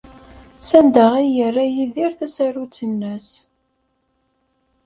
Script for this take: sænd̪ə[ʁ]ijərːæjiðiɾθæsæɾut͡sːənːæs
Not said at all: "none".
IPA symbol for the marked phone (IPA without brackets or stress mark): ʁ